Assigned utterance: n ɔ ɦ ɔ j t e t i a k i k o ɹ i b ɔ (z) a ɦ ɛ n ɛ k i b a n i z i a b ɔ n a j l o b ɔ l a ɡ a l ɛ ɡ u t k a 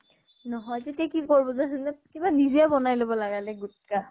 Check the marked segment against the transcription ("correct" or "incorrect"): correct